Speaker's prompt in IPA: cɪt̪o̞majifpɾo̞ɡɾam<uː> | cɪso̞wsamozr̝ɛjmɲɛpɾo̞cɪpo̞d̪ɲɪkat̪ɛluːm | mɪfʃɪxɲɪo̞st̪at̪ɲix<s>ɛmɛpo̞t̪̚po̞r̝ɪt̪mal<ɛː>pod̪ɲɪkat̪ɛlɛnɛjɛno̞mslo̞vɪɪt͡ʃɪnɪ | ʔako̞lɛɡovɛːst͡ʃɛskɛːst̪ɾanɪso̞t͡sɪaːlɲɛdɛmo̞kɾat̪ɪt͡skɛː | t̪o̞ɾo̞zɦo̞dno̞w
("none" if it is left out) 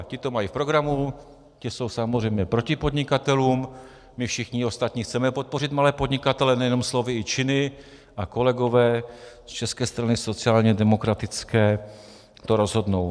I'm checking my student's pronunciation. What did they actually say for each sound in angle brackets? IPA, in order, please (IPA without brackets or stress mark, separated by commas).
u, t͡s, ɛː